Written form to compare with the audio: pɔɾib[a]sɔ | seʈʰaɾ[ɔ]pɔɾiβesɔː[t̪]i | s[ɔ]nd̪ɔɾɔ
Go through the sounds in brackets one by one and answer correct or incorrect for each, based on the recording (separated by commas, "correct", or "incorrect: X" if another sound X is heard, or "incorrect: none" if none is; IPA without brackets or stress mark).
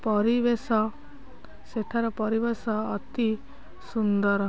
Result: incorrect: e, correct, correct, incorrect: u